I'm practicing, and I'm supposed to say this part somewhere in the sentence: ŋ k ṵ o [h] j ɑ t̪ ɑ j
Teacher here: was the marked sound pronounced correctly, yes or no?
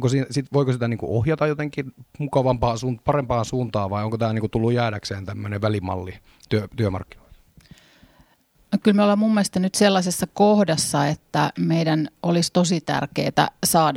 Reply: yes